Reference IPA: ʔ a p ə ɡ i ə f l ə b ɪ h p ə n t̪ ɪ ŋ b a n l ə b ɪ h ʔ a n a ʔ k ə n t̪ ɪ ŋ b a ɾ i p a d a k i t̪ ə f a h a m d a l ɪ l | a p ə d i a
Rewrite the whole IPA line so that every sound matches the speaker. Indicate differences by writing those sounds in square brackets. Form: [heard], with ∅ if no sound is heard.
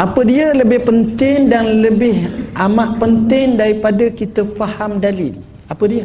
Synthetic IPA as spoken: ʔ a p ə [d] i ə [∅] l ə b ɪ h p ə n t̪ ɪ ŋ [d] a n l ə b ɪ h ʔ a [m] a ʔ [p] ə n t̪ ɪ ŋ [d] a ɾ i p a d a k i t̪ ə f a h a m d a l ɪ l | a p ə d i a